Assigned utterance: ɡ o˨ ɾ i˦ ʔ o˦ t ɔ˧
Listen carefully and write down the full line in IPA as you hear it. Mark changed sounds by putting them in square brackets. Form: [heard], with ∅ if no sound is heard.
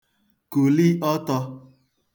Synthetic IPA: [k] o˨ [l] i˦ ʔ [ɔ˦] t ɔ˧